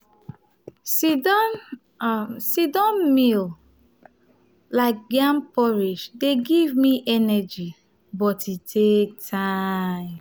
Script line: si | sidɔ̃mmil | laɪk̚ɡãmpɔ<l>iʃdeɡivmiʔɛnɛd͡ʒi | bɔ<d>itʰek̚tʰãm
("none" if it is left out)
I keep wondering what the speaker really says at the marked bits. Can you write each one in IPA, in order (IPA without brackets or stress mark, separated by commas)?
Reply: ɹ, t